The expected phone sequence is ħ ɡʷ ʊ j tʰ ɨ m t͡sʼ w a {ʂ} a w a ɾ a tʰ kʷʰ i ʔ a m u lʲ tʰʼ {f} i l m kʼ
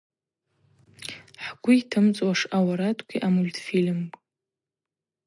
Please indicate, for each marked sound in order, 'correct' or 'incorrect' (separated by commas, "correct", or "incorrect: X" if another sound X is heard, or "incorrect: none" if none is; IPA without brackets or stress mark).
correct, correct